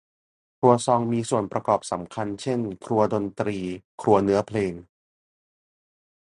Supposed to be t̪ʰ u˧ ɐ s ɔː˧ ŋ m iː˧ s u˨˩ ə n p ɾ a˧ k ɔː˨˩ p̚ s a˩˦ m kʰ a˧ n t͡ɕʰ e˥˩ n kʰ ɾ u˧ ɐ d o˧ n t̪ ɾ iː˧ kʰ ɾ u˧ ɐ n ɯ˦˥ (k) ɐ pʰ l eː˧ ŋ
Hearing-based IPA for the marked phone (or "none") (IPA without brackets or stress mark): none